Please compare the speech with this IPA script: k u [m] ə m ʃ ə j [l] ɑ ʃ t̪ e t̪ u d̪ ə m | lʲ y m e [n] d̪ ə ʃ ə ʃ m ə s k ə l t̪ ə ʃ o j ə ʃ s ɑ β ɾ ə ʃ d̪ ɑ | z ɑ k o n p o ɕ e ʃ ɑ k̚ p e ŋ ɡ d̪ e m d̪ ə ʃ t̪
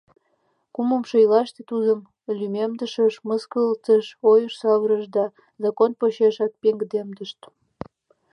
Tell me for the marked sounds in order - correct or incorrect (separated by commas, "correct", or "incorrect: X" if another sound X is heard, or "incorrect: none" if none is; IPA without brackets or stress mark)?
correct, correct, incorrect: m